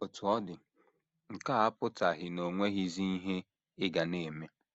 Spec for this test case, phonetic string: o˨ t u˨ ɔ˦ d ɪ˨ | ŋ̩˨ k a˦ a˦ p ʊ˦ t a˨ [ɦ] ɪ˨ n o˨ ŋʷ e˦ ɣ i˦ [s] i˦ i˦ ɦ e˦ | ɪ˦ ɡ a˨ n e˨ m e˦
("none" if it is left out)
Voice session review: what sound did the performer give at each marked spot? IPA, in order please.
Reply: ɦ, z

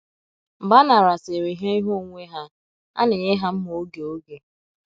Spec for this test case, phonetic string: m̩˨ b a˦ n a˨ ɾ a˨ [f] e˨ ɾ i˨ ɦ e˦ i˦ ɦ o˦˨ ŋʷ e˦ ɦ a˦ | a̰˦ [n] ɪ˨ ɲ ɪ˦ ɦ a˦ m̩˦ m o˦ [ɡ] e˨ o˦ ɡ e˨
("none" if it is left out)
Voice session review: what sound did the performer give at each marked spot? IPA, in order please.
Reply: s, n, ɡ

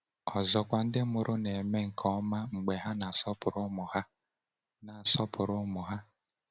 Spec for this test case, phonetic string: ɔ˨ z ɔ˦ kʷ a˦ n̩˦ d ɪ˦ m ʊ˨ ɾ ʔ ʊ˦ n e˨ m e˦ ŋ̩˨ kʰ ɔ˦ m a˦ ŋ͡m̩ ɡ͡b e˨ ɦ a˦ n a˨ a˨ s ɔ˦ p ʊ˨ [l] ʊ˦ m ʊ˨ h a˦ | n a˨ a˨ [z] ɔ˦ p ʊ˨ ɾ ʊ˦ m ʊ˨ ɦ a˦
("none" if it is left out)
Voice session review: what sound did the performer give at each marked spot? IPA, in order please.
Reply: ɾ, s

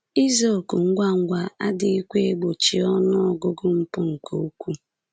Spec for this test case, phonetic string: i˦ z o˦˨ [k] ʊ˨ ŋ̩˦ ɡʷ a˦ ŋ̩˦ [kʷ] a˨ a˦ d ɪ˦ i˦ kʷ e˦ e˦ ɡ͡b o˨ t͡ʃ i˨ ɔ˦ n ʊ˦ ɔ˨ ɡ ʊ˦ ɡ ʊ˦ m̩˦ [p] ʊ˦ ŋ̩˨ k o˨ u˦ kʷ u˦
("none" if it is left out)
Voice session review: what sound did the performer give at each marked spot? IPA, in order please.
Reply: k, ɡʷ, p

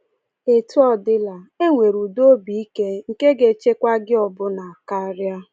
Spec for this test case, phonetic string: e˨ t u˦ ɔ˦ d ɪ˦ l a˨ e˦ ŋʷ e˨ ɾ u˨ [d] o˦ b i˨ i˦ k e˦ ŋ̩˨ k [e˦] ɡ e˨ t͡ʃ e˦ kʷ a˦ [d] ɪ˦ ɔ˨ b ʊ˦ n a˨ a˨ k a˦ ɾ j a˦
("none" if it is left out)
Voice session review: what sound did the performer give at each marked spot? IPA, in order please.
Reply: d, e˦, ɡ

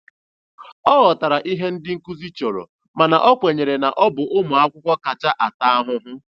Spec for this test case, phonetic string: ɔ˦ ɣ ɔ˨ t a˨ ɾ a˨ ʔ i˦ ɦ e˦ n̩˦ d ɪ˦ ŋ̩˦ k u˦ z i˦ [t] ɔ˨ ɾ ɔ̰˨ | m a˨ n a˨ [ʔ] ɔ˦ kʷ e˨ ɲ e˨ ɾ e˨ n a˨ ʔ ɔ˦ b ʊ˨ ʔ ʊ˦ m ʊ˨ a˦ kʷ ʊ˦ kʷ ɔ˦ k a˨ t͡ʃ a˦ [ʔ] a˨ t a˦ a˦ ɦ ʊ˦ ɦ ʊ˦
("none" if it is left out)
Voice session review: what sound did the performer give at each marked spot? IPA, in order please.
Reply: t͡ʃ, ʔ, ʔ

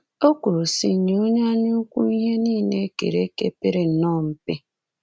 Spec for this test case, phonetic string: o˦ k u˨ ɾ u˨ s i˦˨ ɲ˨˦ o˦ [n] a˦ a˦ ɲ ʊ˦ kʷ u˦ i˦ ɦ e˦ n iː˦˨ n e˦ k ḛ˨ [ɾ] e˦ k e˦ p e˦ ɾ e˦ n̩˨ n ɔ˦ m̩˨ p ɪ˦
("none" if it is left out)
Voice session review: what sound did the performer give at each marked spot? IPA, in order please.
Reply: ɲ, ɾ

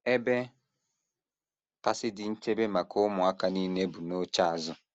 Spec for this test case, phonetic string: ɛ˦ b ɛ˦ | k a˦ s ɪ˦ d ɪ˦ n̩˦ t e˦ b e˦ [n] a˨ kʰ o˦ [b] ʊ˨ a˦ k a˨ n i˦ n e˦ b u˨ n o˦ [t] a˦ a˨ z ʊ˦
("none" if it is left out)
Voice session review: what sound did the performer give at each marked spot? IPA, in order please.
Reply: m, m, t͡ʃ

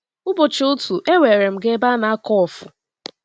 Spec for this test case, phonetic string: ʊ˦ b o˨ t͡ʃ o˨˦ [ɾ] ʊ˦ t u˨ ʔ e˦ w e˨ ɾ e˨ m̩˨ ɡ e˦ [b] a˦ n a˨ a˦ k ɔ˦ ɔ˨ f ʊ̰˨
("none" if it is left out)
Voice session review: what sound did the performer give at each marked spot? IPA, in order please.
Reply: none, b

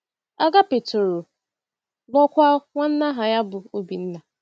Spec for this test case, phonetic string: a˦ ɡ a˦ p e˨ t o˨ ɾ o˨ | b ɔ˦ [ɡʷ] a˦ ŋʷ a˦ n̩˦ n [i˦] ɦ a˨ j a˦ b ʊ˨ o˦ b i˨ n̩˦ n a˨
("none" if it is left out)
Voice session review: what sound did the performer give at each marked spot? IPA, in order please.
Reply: kʷ, a˦

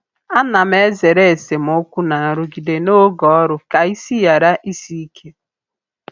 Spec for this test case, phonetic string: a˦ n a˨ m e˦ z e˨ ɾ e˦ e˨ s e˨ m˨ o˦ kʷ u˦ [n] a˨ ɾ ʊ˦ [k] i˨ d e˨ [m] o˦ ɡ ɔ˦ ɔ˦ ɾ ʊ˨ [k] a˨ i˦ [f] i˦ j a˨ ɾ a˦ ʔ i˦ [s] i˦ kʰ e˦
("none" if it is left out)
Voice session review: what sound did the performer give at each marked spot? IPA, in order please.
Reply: n, ɡ, n, k, s, s

